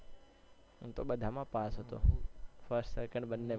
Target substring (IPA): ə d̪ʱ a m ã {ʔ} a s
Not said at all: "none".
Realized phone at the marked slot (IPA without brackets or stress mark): p